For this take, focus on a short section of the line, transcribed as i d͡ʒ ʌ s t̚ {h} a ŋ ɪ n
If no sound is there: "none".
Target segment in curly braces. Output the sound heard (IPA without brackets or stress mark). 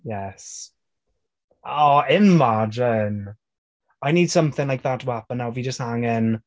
h